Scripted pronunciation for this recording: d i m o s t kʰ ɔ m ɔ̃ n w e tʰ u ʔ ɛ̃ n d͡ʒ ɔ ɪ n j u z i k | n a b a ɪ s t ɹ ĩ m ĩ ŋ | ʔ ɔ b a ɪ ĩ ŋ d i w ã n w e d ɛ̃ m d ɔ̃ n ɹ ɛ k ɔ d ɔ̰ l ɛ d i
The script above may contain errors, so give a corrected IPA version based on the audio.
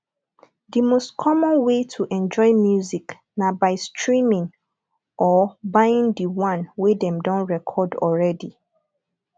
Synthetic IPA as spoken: d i m o s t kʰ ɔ m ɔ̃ n w e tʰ u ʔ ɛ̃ n d͡ʒ ɔ ɪ m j u z i k | n a b a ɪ s t ɹ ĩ m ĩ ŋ | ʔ ɔ b a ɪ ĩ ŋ d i w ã n w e d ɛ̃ m d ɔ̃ n ɹ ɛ kʰ ɔ d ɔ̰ ɹ ɛ d i